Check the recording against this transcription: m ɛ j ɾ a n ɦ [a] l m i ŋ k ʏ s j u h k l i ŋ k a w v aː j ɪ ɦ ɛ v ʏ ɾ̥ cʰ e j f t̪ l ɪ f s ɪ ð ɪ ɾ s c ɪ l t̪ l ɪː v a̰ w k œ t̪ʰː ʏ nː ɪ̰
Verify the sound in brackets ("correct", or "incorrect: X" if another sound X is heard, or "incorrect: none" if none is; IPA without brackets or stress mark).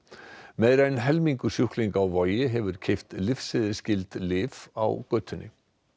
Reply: incorrect: ɛ